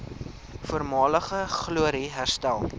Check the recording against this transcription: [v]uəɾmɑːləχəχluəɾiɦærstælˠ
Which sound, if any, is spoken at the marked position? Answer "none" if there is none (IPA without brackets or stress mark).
f